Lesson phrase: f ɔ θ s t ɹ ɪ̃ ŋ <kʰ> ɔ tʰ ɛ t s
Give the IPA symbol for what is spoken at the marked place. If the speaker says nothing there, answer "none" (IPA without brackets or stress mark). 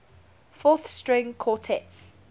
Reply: kʰ